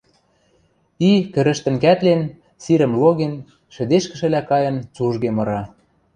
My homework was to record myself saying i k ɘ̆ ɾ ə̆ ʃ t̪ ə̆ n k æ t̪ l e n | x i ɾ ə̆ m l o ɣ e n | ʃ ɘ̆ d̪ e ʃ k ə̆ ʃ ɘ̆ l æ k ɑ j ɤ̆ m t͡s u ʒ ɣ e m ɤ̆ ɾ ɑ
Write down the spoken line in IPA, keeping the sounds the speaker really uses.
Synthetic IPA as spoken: i k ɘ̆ ɾ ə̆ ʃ t̪ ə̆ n k æ t̪ l e n | s i ɾ ə̆ m l o ɣ e n | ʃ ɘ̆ d̪ e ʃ k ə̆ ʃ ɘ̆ l æ k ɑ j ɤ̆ n t͡s u ʒ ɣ e m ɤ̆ ɾ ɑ

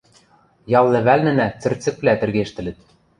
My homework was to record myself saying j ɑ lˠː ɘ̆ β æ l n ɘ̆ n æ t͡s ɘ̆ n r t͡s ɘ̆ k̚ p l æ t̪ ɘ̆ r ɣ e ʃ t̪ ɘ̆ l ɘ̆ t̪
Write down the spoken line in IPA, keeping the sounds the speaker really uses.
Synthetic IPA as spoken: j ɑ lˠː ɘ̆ β æ l n ɘ̆ n æ t͡s ɘ̆ r t͡s ɘ̆ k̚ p l æ t̪ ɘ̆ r ɣ e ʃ t̪ ɘ̆ l ɘ̆ t̪

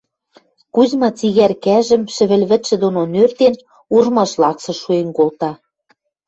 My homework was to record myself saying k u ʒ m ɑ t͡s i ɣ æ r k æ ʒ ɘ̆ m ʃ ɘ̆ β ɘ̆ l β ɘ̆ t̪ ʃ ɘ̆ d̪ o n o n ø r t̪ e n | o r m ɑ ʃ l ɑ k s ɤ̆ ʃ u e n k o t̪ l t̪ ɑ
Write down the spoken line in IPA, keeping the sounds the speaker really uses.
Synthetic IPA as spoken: k u z m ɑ t͡s i ɣ æ r k æ ʒ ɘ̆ m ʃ ɘ̆ β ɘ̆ l β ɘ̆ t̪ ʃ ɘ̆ d̪ o n o n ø r t̪ e n | u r m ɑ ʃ l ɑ k s ɤ̆ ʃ u e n k o l t̪ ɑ

